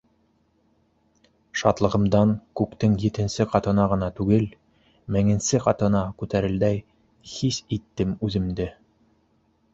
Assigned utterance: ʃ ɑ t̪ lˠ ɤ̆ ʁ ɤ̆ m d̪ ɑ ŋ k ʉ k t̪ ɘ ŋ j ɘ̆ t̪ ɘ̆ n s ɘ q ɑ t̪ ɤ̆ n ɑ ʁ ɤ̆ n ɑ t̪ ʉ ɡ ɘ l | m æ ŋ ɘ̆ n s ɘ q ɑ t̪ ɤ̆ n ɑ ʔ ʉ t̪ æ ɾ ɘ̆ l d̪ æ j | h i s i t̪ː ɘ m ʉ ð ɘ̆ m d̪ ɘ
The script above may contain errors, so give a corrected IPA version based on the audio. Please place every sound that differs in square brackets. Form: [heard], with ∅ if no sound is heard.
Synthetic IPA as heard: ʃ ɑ t̪ lˠ ɤ̆ ʁ ɤ̆ m d̪ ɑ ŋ k ʉ k t̪ ɘ ŋ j ɘ̆ t̪ ɘ̆ n s ɘ q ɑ t̪ ɤ̆ n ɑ ʁ ɤ̆ n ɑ t̪ ʉ ɡ ɘ l | m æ ŋ ɘ̆ n s ɘ q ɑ t̪ ɤ̆ n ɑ [k] ʉ t̪ æ ɾ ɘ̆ l d̪ æ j | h i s i t̪ː ɘ m ʉ ð ɘ̆ m d̪ ɘ